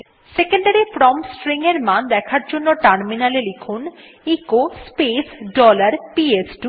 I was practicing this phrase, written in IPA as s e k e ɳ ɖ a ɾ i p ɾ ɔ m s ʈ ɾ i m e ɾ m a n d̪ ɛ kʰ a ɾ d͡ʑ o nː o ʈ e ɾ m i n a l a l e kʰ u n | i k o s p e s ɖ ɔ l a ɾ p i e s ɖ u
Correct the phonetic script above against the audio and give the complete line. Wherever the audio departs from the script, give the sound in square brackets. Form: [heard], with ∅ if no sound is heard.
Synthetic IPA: s e k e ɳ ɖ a ɾ i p ɾ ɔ m s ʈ ɾ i [ŋ] e ɾ m a n d̪ ɛ kʰ a ɾ d͡ʑ o nː o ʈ [a] ɾ m i n a l [e] l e kʰ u n | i k o s p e s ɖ ɔ l a ɾ p i e s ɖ u